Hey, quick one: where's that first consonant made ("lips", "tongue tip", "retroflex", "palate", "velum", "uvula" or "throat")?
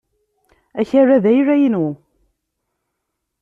palate